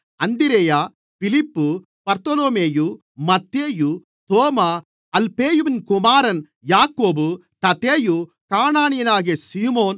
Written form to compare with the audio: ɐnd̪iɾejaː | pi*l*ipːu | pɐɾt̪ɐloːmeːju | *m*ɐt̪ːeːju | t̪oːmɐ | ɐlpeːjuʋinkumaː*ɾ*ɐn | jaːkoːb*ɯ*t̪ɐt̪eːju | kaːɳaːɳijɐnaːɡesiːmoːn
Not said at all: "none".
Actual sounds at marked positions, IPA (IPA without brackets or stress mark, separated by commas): l, m, ɾ, u